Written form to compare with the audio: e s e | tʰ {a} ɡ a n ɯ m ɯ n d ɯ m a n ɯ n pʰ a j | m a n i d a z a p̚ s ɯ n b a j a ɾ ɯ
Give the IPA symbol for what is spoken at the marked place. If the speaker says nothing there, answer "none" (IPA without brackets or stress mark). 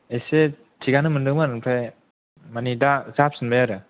i